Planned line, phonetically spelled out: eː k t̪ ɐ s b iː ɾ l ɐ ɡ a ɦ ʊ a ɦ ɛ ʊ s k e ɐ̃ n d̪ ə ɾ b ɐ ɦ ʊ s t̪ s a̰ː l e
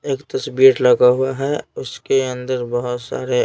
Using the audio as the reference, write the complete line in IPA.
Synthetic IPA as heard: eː k t̪ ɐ s b iː ɾ l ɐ ɡ a ɦ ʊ a ɦ ɛ ʊ s k e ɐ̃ n d̪ ə ɾ b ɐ ɦ ʊ t̪ s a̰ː ɾ e